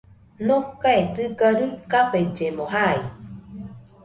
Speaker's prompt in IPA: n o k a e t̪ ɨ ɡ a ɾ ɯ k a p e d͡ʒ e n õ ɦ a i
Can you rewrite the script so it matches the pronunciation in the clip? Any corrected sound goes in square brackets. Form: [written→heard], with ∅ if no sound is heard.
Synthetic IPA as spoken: n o k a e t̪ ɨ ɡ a ɾ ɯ k a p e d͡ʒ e [n→m] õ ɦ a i